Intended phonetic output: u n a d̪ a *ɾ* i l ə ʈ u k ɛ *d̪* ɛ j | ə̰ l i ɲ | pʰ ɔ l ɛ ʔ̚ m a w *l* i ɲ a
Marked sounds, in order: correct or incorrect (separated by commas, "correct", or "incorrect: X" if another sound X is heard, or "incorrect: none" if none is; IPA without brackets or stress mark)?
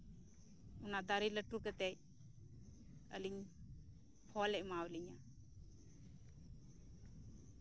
correct, incorrect: t̪, correct